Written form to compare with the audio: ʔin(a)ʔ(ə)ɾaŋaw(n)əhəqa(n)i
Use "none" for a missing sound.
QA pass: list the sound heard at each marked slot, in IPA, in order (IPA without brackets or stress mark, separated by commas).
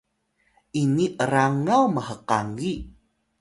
i, ə, m, ŋ